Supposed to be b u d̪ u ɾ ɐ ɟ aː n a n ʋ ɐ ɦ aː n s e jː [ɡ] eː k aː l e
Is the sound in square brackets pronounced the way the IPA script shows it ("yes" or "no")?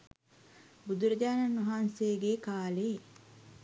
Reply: yes